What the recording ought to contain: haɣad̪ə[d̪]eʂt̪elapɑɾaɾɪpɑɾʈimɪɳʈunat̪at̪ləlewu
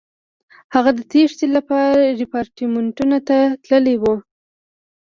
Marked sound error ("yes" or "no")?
yes